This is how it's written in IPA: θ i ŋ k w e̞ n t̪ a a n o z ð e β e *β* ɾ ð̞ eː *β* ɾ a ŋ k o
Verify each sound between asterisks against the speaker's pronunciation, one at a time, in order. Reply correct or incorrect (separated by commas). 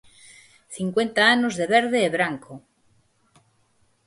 incorrect, correct